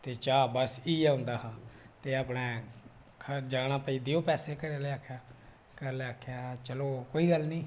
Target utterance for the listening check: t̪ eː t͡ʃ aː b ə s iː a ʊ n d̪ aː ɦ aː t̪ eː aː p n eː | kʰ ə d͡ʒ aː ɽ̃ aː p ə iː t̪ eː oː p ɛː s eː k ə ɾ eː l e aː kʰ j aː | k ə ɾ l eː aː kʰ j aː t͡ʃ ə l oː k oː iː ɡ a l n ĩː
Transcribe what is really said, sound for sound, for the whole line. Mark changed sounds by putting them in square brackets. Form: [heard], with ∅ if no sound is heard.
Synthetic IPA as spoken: t̪ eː t͡ʃ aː b ə s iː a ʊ n d̪ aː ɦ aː t̪ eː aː p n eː | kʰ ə d͡ʒ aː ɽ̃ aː p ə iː [d̪] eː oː p ɛː s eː k ə ɾ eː l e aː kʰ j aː | k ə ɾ l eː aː kʰ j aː t͡ʃ ə l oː k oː iː ɡ [ə] l n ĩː

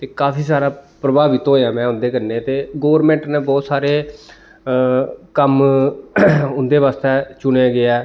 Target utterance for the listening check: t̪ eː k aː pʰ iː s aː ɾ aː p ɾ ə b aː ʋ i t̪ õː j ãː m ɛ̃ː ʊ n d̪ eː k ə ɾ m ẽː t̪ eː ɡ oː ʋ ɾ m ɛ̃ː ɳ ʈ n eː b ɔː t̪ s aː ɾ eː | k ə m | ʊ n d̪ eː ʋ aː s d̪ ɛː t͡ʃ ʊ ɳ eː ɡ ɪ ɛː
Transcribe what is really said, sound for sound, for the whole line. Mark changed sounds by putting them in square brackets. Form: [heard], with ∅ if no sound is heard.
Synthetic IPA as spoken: t̪ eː k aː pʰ iː s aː ɾ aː p ɾ ə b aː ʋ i t̪ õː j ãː m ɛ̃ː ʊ n d̪ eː k ə ɾ [n] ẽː t̪ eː ɡ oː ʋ ɾ m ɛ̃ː ɳ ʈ n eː b ɔː t̪ s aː ɾ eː | k ə m | ʊ n d̪ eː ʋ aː s [t̪] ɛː t͡ʃ ʊ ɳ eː ɡ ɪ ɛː

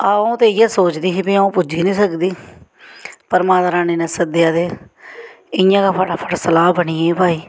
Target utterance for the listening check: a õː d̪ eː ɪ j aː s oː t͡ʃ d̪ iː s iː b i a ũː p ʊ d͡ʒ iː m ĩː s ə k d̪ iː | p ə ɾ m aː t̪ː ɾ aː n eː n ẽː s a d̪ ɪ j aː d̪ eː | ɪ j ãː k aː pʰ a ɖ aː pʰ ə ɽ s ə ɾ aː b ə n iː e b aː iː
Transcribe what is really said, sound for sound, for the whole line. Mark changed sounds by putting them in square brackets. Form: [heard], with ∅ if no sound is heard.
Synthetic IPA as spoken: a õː [t̪] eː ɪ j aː s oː t͡ʃ d̪ iː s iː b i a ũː p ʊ d͡ʒ iː [n] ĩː s ə k d̪ iː | p ə ɾ m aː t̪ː ɾ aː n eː n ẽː s [ə] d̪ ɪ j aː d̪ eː | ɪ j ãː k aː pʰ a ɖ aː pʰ ə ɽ s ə [l] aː b ə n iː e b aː iː

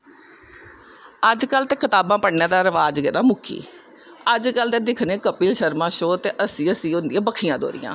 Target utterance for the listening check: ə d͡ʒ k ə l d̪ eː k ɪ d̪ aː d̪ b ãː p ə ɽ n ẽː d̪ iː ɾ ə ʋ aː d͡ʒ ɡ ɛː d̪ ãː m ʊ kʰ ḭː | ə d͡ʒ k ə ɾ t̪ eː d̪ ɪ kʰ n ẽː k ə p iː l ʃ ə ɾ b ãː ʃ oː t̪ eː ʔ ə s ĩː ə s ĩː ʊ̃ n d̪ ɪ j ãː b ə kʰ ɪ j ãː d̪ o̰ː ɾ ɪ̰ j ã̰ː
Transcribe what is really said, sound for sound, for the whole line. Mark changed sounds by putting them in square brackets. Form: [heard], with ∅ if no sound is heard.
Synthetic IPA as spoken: ə d͡ʒ k ə l [t̪] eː k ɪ [t̪] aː [∅] b ãː p ə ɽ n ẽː d̪ [aː] ɾ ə ʋ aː d͡ʒ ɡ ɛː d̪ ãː m ʊ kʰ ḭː | ə d͡ʒ k ə [l] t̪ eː d̪ ɪ kʰ n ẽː k ə p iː l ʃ ə ɾ [m] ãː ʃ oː t̪ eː ʔ ə s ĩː ə s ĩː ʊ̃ n d̪ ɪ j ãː b ə kʰ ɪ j ãː d̪ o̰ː ɾ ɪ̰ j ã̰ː

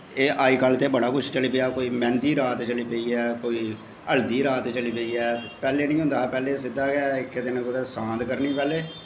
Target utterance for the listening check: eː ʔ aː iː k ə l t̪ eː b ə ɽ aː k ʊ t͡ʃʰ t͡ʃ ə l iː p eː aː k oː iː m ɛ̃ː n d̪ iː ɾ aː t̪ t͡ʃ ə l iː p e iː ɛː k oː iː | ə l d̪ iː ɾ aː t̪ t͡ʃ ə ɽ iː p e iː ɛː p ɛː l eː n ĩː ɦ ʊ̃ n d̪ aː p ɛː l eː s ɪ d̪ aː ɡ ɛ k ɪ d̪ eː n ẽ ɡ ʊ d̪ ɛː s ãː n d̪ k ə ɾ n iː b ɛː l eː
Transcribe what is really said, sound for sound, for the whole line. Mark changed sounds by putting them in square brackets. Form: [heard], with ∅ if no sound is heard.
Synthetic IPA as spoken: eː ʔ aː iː k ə l t̪ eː b ə ɽ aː k ʊ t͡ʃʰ t͡ʃ ə l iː p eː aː k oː iː m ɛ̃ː n d̪ iː ɾ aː t̪ t͡ʃ ə l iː p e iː ɛː k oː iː | ə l d̪ iː ɾ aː t̪ t͡ʃ ə [l] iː p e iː ɛː p ɛː l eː n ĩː ɦ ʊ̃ n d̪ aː p ɛː l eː s ɪ d̪ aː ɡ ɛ k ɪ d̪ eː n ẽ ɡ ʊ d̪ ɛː s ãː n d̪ k ə ɾ n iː [p] ɛː l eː

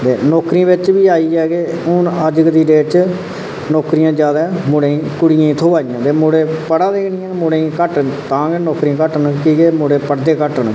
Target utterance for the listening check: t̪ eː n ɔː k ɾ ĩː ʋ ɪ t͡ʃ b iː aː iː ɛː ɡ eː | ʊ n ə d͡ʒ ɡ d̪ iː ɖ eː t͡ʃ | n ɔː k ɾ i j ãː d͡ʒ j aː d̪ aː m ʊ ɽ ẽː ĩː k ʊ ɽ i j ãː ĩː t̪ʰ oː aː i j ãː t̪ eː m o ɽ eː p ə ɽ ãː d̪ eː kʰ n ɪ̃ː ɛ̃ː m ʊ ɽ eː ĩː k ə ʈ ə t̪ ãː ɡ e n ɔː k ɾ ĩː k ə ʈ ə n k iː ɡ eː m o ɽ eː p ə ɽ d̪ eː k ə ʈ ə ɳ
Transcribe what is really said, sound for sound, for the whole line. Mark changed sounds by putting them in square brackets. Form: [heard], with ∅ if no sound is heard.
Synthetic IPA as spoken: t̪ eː n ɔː k ɾ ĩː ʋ ɪ t͡ʃ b iː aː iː ɛː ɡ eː | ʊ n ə d͡ʒ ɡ d̪ iː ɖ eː t͡ʃ | n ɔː k ɾ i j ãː d͡ʒ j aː d̪ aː m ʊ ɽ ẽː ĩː k ʊ ɽ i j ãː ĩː t̪ʰ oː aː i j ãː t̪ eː m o ɽ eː p ə ɽ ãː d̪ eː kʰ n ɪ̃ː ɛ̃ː m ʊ ɽ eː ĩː k ə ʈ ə t̪ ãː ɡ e n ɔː k ɾ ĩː k ə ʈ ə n k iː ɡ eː m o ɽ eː p ə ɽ d̪ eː k ə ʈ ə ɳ

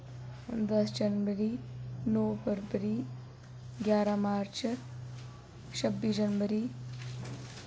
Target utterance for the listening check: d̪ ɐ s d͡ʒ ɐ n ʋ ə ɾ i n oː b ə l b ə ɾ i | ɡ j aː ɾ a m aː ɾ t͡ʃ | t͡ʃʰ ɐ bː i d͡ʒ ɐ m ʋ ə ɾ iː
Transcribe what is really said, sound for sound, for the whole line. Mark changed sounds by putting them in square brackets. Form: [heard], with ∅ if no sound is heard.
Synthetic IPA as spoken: d̪ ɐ s d͡ʒ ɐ n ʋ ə ɾ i n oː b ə [ɾ] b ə ɾ i | ɡ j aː ɾ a m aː ɾ t͡ʃ | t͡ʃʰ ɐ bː i d͡ʒ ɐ [n] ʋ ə ɾ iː

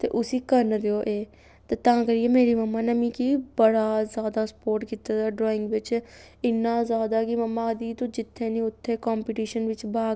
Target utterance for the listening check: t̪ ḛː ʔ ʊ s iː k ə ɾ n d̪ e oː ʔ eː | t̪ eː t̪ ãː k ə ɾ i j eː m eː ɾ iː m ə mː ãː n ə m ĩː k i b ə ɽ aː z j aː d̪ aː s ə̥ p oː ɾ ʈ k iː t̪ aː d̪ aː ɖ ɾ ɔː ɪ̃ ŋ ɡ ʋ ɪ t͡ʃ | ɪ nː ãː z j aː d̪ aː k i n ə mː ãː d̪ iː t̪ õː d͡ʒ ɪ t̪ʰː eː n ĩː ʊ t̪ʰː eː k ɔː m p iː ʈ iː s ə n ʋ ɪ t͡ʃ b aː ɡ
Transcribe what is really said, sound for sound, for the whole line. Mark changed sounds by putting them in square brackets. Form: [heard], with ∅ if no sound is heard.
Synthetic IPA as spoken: t̪ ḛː ʔ ʊ s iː k ə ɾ n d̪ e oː ʔ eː | t̪ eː t̪ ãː k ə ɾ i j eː m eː ɾ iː m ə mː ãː n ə m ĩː k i b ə ɽ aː z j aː d̪ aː s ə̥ p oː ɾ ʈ k iː t̪ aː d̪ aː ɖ ɾ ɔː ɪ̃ ŋ ɡ ʋ ɪ t͡ʃ | ɪ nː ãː z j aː d̪ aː k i [m] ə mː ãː d̪ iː t̪ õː d͡ʒ ɪ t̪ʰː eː n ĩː ʊ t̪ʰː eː k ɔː m p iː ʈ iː [ʃ] ə n ʋ ɪ t͡ʃ b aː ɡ

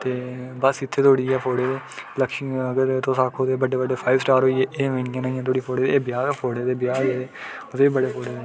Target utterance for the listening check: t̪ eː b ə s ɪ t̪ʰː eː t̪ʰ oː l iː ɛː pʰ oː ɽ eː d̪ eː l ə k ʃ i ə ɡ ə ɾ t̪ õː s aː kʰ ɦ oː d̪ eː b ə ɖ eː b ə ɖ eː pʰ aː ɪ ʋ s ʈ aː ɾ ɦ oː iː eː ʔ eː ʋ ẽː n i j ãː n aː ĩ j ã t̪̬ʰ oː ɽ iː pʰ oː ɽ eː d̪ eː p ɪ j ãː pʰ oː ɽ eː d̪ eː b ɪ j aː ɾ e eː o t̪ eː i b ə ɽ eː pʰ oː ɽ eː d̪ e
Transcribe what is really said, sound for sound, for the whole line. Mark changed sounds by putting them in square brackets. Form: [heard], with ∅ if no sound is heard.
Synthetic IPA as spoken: t̪ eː b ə s ɪ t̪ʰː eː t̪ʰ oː [ɽ] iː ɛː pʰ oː ɽ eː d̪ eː l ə k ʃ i ə ɡ ə ɾ t̪ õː s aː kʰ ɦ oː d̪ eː b ə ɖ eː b ə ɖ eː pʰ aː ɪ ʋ s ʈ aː ɾ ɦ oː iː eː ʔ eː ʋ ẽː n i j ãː n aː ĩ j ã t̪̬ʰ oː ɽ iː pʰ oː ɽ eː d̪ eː [b] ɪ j [aː] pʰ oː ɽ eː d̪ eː b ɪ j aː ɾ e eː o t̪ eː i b ə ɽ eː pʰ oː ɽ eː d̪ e

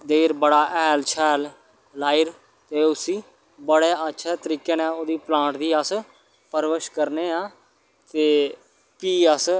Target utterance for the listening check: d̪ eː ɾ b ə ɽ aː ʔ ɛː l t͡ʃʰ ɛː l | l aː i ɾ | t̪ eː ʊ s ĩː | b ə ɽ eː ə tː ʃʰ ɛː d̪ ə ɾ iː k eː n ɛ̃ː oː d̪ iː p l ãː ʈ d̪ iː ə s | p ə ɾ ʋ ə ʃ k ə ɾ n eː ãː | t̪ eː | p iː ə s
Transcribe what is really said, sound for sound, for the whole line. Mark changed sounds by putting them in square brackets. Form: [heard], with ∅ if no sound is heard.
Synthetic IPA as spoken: d̪ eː ɾ b ə ɽ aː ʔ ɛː l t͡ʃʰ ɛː l | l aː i ɾ | t̪ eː ʊ s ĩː | b ə ɽ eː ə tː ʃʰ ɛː [t̪] ə ɾ iː k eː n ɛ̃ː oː d̪ iː p l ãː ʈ d̪ iː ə s | p ə ɾ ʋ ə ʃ k ə ɾ n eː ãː | t̪ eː | p iː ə s

